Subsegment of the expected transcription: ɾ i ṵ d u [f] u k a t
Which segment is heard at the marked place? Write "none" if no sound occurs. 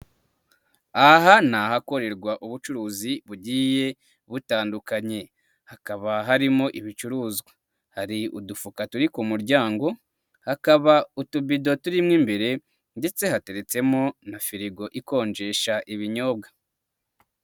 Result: f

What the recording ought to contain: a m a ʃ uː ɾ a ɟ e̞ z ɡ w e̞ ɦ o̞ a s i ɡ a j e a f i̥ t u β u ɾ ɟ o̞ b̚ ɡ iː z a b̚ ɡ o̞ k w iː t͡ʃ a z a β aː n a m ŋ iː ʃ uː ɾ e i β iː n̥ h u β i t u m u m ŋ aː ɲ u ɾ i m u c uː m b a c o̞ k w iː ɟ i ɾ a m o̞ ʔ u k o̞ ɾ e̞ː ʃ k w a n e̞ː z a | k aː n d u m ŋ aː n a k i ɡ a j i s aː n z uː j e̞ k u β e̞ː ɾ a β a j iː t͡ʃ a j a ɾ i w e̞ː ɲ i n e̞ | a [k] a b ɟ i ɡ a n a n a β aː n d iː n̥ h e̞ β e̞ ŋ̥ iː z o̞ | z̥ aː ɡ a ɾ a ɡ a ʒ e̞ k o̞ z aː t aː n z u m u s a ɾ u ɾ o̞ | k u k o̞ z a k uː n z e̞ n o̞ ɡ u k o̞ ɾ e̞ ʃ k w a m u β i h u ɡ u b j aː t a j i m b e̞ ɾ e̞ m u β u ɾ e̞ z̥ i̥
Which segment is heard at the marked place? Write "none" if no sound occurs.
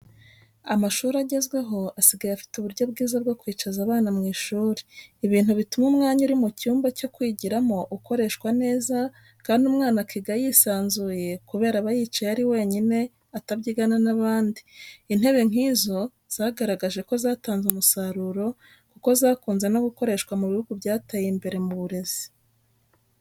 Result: t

